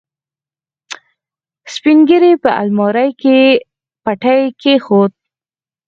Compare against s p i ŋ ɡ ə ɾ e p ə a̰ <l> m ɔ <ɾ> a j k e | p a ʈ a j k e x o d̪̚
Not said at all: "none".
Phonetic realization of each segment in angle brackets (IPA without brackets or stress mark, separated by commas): l, ɾ